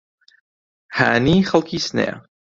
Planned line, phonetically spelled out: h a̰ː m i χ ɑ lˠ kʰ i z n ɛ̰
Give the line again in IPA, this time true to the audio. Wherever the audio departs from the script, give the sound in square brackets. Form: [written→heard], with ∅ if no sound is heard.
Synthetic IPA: h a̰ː [m→n] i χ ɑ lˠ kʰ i [z→s] n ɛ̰